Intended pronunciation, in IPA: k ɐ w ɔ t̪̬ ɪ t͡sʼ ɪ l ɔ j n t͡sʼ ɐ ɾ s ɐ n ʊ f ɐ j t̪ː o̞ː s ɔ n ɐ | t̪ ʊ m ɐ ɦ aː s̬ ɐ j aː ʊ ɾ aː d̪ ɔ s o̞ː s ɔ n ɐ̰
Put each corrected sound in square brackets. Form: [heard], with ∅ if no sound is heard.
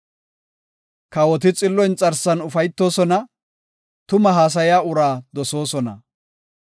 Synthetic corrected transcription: k ɐ w ɔ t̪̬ ɪ t͡sʼ ɪ [lː] ɔ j n t͡sʼ ɐ ɾ s ɐ n ʊ f ɐ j t̪ː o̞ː s ɔ n ɐ | t̪ ʊ m ɐ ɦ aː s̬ ɐ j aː ʊ ɾ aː d̪ ɔ s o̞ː s ɔ n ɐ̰